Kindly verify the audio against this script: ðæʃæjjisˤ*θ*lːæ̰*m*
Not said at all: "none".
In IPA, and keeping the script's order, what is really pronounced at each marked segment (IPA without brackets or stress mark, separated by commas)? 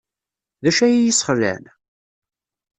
χ, n